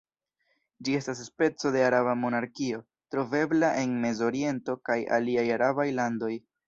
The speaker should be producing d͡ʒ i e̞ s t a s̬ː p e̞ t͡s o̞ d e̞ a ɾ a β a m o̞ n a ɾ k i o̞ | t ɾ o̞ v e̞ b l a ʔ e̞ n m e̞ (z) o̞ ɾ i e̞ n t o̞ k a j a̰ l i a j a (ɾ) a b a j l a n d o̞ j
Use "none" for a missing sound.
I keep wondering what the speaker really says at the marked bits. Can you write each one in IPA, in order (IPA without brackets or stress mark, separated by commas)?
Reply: z, ɾ